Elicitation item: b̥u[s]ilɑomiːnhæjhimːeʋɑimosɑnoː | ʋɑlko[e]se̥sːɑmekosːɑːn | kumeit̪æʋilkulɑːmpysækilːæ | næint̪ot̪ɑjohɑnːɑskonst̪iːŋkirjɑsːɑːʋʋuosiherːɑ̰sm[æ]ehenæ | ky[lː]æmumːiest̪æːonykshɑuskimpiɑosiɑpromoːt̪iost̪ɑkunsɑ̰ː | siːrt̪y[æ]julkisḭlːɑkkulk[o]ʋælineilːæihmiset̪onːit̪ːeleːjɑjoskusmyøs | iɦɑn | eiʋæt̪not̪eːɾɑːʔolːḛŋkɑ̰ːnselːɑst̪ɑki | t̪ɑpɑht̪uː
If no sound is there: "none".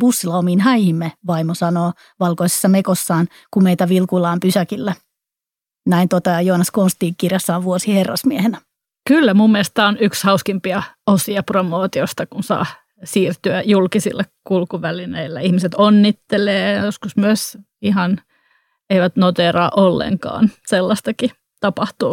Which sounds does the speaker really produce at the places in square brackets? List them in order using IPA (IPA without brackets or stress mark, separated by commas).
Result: sː, i, i, lː, æ, u